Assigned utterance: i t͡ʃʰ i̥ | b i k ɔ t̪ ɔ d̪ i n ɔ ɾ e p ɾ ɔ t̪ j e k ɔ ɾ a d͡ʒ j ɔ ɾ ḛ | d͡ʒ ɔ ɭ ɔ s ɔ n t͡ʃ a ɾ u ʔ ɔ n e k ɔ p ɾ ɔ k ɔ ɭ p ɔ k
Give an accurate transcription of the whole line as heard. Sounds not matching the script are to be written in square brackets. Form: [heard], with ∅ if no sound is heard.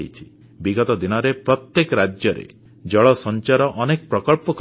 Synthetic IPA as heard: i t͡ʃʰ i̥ | b i [ɡ] ɔ t̪ ɔ d̪ i n ɔ ɾ e p ɾ ɔ t̪ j e k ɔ ɾ a d͡ʒ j ɔ ɾ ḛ | d͡ʒ ɔ ɭ ɔ s ɔ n t͡ʃ a ɾ [ɔ] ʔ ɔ n e k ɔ p ɾ ɔ k ɔ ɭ p ɔ k

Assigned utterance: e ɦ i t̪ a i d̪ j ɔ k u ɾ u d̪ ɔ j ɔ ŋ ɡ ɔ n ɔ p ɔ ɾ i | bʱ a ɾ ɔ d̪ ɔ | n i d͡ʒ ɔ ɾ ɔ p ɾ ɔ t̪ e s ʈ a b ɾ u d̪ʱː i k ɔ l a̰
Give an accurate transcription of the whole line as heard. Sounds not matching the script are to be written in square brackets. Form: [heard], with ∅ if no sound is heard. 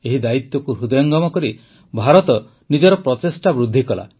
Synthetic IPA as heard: e ɦ i [d̪] a i [t̪] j ɔ k u ɾ u d̪ ɔ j ɔ ŋ ɡ ɔ [m] ɔ [k] ɔ ɾ i | bʱ a ɾ ɔ [t̪] ɔ | n i d͡ʒ ɔ ɾ ɔ p ɾ ɔ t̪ e s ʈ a b ɾ u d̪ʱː i k ɔ l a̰

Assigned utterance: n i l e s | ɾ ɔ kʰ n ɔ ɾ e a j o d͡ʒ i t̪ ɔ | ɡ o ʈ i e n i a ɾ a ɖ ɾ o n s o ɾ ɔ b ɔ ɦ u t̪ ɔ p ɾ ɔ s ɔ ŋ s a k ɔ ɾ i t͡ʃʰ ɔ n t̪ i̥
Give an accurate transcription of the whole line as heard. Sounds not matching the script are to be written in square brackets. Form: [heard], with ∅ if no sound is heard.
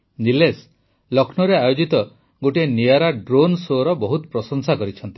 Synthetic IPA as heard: n i l e s | [l] ɔ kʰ n ɔ ɾ e a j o d͡ʒ i t̪ ɔ | ɡ o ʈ i e n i a ɾ a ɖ ɾ o n s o ɾ ɔ b ɔ ɦ u t̪ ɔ p ɾ ɔ s ɔ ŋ s a k ɔ ɾ i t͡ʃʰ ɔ n t̪ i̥

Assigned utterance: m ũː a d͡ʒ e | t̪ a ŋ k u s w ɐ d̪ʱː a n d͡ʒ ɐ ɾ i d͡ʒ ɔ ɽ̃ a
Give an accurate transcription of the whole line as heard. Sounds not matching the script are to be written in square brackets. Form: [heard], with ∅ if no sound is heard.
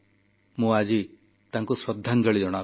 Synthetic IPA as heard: m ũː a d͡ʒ [i] | t̪ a ŋ k u s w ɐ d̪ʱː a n d͡ʒ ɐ [ɭ] i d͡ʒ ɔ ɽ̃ a

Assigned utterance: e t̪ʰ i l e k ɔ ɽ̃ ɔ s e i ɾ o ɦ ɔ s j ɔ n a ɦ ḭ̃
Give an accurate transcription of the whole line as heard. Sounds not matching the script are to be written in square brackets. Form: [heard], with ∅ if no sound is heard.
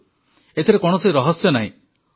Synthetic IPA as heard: e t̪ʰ i [ɾ] e k ɔ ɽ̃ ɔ s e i ɾ [ɔ] ɦ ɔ s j ɔ n a ɦ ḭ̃

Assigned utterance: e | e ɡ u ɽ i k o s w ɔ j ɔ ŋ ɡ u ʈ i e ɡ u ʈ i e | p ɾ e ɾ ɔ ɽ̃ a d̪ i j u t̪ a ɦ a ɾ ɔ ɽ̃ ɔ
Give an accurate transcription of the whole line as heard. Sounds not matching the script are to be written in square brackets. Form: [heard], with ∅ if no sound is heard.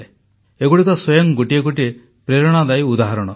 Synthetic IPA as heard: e | e ɡ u ɽ i k [ɔ] s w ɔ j ɔ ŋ ɡ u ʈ i e ɡ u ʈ i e | p ɾ e ɾ ɔ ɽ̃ a d̪ [a] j u [d̪] a ɦ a ɾ ɔ ɽ̃ ɔ

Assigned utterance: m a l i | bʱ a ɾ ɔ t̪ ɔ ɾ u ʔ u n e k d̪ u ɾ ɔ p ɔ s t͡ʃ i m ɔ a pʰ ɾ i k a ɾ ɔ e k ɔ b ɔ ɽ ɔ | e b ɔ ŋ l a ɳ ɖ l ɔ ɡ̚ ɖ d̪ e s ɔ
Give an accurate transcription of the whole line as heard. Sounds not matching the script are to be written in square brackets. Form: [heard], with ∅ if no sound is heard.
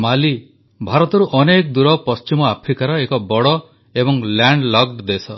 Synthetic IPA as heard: m a l i | bʱ a ɾ ɔ t̪ ɔ ɾ u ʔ [ɔ] n e k d̪ u ɾ ɔ p ɔ s t͡ʃ i m ɔ a pʰ ɾ i k a ɾ ɔ e k ɔ b ɔ ɽ ɔ | e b ɔ ŋ l a ɳ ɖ l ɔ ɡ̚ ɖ d̪ e s ɔ

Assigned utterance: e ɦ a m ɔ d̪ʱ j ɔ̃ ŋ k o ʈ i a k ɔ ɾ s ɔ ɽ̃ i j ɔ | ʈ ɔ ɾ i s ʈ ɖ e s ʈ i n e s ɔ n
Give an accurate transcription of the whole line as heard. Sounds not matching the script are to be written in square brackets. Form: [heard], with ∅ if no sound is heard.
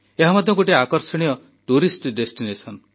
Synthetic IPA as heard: e ɦ a m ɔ d̪ʱ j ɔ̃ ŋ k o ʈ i a k ɔ ɾ s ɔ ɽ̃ i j ɔ | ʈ [u] ɾ i s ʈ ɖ e s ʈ i n e s ɔ n

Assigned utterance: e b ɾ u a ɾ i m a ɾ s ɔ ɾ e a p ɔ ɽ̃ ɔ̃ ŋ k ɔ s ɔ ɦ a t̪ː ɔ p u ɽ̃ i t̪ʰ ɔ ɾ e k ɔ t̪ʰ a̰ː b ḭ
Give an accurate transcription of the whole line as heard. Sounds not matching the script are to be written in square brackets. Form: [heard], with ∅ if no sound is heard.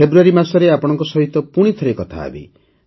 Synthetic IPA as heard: e b ɾ u a ɾ i m a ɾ s ɔ ɾ e a p ɔ ɽ̃ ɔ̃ ŋ k ɔ s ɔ ɦ [i] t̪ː ɔ p u ɽ̃ i t̪ʰ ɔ ɾ e k ɔ t̪ʰ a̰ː b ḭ

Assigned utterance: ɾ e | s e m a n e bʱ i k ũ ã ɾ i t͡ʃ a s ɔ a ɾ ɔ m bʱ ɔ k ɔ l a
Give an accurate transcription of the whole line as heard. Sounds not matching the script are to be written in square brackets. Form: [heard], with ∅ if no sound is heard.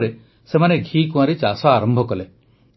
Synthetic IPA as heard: ɾ e | s e m a n e [ɡʱ] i k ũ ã ɾ i t͡ʃ a s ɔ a ɾ ɔ m bʱ ɔ k ɔ l [e]

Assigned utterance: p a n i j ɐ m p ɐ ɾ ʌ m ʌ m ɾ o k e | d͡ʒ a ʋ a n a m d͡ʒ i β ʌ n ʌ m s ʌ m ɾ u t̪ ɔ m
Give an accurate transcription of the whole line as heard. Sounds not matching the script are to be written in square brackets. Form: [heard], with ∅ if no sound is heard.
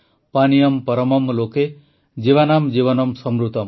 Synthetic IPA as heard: p a n i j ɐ m p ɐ ɾ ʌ m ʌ m [l] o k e | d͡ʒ [i] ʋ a n a m d͡ʒ i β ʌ n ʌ m s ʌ m ɾ u t̪ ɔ m

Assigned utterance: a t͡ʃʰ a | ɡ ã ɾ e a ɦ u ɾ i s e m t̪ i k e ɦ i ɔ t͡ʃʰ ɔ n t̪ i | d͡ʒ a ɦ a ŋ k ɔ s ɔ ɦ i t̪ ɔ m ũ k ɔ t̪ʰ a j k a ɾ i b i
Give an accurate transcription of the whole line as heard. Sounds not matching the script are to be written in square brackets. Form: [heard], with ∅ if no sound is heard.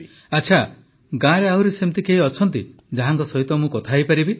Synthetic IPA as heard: a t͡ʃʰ a | ɡ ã ɾ e a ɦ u ɾ i s e m t̪ i k e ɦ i ɔ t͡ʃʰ ɔ n t̪ i | d͡ʒ a ɦ a ŋ k ɔ s ɔ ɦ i t̪ ɔ m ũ k ɔ t̪ʰ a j [p] a ɾ i b i

